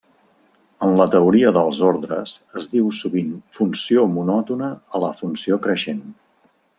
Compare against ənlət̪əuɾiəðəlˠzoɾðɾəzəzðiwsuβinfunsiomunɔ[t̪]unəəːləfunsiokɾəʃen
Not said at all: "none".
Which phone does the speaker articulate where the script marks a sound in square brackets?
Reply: t̪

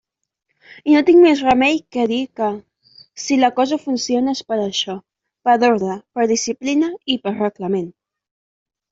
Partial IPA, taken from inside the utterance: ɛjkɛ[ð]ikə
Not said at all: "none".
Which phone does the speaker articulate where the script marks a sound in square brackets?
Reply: ð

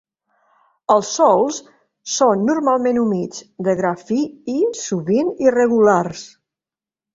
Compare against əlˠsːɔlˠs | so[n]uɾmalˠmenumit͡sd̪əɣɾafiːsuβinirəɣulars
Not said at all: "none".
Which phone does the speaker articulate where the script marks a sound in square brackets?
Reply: nː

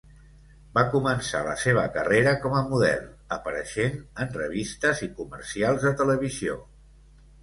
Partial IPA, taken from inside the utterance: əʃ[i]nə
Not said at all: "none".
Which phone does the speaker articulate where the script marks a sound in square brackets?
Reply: e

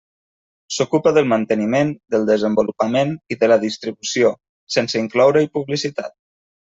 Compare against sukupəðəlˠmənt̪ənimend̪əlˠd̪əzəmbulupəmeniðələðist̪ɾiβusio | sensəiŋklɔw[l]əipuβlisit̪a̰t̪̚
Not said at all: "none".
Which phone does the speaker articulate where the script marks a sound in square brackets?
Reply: ɾ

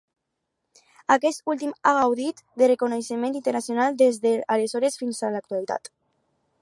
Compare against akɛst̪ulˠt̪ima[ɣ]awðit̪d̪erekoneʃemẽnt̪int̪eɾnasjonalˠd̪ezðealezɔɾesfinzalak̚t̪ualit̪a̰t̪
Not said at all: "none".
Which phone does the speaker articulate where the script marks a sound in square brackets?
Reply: ɣ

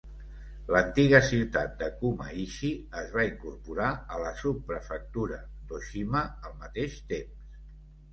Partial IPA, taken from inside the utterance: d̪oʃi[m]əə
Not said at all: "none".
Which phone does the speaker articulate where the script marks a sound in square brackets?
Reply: m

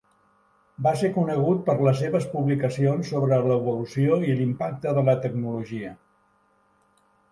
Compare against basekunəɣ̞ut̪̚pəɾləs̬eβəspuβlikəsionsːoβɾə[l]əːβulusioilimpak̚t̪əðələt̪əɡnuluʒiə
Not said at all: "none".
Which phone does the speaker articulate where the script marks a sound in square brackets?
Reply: l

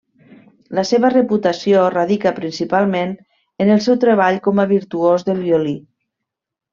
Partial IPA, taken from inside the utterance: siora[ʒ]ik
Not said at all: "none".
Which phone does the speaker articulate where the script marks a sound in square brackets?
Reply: ð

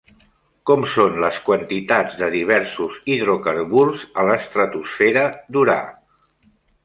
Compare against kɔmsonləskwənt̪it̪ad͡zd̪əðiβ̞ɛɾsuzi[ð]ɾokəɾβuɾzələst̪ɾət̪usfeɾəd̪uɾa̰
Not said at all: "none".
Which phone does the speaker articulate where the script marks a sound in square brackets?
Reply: ð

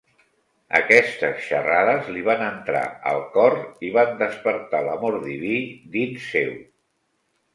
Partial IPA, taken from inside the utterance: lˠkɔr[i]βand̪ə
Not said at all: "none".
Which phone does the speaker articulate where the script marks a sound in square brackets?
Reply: i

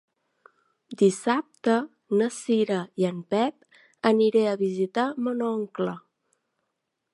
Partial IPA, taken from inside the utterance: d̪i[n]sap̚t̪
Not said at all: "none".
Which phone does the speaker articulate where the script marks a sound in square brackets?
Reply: none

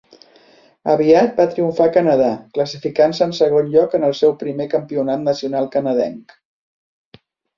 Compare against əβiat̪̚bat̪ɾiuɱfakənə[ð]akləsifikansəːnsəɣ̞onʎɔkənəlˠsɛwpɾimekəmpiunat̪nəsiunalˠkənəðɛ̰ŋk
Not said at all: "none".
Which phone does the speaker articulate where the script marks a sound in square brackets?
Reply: ð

